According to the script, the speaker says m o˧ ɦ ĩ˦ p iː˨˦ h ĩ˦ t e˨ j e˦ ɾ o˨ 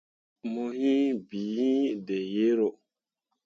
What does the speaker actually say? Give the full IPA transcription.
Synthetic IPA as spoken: m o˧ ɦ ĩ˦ b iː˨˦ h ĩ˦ d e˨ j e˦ ɾ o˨

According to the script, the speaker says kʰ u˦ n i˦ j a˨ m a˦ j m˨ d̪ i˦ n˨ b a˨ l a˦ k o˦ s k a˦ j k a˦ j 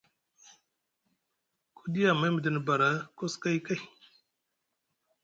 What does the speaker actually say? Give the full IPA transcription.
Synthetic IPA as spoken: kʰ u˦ d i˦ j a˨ m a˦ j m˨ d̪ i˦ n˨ b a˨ ɾ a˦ k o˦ s k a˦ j k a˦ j

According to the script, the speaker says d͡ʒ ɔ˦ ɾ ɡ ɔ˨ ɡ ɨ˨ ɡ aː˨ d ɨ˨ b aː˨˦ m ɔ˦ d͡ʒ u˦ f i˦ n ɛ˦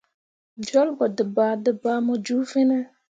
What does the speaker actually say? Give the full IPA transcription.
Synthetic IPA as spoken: d͡ʒ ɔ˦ l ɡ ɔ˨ d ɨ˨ b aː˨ d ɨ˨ b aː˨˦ m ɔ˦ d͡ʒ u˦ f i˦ n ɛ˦

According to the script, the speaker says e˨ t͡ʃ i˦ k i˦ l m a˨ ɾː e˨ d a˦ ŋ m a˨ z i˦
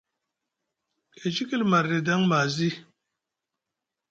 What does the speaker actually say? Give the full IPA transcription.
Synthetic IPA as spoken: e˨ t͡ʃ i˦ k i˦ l m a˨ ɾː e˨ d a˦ ŋ m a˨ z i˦

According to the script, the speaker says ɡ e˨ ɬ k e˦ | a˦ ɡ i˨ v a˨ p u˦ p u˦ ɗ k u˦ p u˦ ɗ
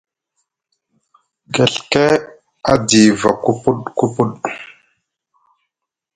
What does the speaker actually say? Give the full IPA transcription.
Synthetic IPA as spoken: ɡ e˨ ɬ k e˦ | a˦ d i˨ v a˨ k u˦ p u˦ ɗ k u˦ p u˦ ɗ

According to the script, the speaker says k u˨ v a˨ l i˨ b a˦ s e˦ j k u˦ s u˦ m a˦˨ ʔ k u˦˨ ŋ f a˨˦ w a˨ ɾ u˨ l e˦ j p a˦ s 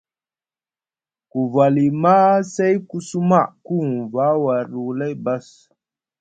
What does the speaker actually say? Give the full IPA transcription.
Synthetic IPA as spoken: k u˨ v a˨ l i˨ m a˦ s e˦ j k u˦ s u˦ m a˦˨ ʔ k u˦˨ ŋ v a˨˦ w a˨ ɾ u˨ l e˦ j b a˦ s

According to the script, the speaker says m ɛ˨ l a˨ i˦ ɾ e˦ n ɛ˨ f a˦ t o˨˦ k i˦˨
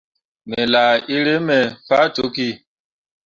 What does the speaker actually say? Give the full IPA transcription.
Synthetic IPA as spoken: m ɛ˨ l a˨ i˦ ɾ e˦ m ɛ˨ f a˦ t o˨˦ k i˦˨

